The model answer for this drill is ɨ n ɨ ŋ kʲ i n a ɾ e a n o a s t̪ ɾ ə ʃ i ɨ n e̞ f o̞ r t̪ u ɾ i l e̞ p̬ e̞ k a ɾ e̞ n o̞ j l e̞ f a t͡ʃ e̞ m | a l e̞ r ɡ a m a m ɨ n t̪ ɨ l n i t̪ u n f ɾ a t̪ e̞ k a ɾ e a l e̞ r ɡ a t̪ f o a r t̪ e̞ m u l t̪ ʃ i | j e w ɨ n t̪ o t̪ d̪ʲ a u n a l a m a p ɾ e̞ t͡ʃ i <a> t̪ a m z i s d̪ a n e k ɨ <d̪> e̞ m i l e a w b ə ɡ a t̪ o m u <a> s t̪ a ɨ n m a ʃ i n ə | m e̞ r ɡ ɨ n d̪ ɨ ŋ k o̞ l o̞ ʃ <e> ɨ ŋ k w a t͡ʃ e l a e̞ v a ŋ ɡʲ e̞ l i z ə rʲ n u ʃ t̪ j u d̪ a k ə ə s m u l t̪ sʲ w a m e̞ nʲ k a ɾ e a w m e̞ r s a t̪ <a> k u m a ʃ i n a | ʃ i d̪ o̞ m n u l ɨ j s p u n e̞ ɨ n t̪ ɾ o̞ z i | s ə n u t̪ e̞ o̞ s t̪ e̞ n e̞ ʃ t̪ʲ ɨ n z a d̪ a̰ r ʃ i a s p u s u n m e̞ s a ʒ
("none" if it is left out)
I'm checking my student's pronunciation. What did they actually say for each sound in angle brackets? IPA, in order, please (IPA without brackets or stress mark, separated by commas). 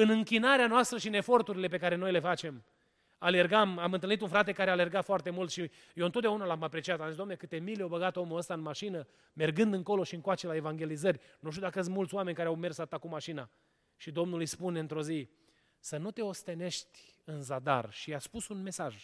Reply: a, t̪, ə, i, a